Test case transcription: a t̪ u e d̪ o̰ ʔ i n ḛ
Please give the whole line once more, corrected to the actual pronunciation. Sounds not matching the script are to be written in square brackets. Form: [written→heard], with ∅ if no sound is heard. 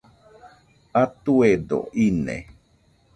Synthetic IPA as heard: a t̪ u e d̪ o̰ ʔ i n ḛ